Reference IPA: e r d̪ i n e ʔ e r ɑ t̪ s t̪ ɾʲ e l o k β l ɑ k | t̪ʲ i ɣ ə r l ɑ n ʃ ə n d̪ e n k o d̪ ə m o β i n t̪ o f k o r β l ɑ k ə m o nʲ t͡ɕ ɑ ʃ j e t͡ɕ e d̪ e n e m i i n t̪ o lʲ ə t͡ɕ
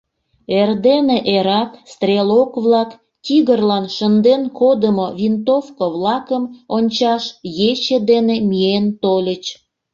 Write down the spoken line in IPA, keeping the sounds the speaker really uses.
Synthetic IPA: e r d̪ e n e ʔ e ɾ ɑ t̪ s t̪ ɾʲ e l o k β l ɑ k | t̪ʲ i ɣ ə r l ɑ n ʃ ə n d̪ e n k o d̪ ə m o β i n t̪ o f k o β l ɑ k ə m o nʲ t͡ɕ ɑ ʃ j e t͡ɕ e d̪ e n e m i e n t̪ o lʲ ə t͡ɕ